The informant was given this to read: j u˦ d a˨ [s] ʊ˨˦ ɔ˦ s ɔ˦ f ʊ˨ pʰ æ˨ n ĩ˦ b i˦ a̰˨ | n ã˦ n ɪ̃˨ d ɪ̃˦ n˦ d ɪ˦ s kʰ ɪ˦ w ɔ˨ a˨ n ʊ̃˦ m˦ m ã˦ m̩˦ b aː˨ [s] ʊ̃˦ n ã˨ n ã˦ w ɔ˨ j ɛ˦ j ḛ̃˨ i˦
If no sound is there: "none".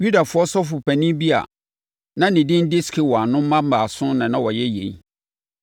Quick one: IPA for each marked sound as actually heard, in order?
f, s

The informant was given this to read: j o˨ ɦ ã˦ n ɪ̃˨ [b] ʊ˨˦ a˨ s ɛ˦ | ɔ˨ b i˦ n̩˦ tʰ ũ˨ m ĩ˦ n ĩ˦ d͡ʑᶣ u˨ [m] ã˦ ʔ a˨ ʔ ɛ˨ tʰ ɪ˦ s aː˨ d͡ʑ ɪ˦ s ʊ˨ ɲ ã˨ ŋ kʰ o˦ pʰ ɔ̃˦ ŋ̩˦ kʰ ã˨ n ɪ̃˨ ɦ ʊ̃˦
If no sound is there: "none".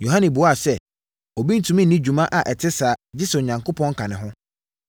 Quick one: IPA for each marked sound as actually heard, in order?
b, m

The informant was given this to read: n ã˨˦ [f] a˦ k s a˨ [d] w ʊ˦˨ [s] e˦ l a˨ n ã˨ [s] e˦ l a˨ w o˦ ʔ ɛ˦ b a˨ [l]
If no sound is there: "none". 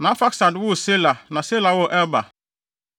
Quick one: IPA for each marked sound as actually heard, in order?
f, d, s, s, none

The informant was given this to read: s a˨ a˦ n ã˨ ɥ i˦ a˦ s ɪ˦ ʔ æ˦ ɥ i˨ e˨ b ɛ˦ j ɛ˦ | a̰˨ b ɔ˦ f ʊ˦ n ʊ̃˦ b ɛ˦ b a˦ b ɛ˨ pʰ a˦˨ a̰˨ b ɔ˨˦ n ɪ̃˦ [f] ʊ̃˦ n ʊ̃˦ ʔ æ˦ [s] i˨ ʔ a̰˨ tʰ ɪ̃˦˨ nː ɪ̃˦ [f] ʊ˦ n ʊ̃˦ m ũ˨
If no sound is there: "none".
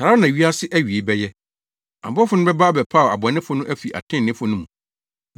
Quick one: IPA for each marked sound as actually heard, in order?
f, f, f

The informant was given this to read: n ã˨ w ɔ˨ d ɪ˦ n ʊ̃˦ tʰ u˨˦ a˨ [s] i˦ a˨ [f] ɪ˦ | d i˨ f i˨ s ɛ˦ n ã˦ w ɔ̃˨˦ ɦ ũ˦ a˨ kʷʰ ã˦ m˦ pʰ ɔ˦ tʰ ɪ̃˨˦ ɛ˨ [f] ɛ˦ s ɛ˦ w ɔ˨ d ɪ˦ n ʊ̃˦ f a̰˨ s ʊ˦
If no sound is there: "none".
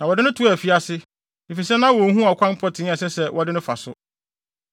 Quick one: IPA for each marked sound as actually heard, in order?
f, s, s

